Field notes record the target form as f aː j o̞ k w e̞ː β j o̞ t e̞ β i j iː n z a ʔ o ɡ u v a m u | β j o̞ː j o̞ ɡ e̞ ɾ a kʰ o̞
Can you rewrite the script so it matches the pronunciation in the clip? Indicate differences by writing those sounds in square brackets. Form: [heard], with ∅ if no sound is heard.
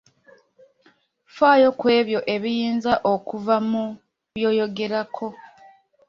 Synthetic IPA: f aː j o̞ k w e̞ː β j o̞ [ʔ] e̞ β i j iː n z a ʔ o [k] u v a m u | β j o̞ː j o̞ ɡ e̞ ɾ a kʰ o̞